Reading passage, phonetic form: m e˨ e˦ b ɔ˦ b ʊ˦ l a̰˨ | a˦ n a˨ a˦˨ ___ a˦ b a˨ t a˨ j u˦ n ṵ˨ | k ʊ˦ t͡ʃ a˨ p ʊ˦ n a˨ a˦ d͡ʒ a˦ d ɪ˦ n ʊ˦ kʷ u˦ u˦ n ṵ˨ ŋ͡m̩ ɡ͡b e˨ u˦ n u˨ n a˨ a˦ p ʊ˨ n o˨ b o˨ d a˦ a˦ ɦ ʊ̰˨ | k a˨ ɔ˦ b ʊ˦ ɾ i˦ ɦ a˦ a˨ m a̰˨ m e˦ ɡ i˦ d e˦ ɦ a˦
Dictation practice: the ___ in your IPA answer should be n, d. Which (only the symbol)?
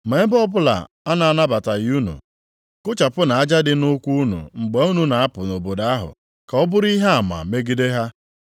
n